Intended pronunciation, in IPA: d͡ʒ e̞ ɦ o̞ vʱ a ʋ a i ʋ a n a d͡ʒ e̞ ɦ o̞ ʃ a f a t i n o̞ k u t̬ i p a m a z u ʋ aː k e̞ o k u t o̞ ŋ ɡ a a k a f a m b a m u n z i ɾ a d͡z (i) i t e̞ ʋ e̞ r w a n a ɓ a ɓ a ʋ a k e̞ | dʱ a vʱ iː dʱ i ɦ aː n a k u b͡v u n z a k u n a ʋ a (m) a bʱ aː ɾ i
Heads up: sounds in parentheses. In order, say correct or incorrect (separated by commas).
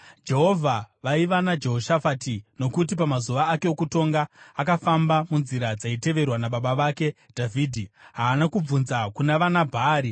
incorrect, incorrect